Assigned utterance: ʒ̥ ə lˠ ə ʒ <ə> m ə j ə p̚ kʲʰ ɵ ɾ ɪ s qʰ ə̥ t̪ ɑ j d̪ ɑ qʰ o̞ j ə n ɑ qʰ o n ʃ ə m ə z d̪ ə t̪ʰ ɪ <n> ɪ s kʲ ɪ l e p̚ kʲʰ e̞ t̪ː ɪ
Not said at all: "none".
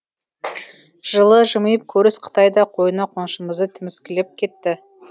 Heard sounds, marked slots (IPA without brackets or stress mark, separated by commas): ə, m